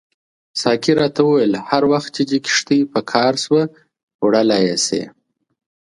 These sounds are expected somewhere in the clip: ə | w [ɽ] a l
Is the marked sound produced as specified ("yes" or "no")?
yes